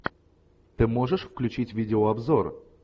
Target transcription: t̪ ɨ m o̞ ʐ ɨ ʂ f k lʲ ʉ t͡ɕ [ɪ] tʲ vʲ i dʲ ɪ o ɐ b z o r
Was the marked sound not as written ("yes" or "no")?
yes